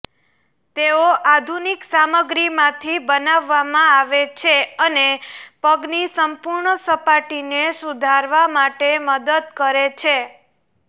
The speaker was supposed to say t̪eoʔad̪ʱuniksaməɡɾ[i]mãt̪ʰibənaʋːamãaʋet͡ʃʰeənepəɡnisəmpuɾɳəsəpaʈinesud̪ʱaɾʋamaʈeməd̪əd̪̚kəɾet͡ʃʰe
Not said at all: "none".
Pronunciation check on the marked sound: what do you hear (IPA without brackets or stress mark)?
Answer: i